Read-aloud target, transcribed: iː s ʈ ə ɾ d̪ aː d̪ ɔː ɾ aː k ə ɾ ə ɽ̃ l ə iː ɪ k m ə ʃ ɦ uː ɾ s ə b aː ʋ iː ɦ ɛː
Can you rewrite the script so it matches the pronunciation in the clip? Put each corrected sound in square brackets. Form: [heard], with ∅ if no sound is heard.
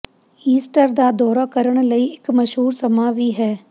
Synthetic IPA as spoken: iː s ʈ ə ɾ d̪ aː d̪ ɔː ɾ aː k ə ɾ ə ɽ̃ l ə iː ɪ k m ə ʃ ɦ uː ɾ s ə [m] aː ʋ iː ɦ ɛː